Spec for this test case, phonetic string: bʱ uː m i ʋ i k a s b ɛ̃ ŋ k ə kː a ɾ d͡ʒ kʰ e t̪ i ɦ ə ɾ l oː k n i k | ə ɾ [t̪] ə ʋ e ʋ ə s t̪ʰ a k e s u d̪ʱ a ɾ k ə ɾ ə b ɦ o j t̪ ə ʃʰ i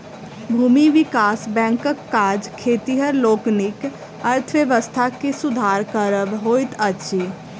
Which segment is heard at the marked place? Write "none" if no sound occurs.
t̪ʰ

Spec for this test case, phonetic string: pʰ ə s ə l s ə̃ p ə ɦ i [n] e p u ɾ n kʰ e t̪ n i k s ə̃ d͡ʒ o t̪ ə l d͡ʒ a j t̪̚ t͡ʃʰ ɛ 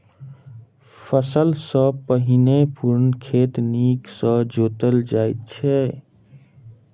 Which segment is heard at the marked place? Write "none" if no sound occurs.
n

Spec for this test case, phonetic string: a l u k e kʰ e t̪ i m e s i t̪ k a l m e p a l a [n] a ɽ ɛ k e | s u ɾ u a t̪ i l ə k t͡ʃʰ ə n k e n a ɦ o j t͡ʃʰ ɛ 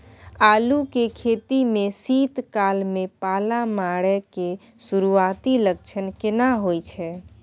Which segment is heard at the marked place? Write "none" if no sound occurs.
m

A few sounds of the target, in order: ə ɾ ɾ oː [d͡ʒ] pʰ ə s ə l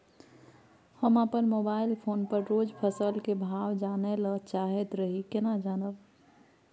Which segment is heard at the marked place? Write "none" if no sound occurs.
d͡ʒ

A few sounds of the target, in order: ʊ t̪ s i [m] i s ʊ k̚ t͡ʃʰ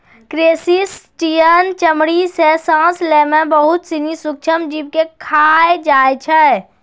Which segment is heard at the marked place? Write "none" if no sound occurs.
n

